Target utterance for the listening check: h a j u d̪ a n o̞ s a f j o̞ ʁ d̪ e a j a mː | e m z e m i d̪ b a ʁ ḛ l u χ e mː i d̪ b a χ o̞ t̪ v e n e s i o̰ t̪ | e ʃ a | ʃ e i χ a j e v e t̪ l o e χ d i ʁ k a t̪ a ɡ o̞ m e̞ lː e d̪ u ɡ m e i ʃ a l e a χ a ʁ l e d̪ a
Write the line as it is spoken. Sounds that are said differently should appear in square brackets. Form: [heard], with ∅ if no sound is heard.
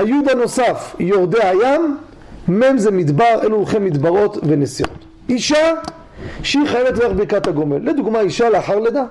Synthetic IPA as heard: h a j u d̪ a n o̞ s a f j o̞ ʁ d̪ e a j a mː | e m z e m i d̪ b a ʁ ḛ l u χ e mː i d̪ b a [ʁ] o̞ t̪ v e n e s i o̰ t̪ | [i] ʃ a | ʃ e i χ a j e v e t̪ l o e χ [b] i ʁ k a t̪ a ɡ o̞ m e̞ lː e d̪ u ɡ m [a] i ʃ a l e a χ a ʁ l e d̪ a